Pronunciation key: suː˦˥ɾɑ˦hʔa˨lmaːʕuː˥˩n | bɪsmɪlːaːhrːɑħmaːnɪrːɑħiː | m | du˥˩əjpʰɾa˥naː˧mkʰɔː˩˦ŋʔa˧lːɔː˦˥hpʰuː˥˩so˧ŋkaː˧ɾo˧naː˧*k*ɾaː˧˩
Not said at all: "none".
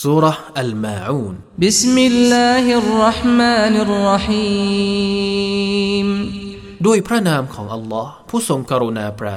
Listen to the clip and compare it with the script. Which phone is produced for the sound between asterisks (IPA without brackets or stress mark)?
p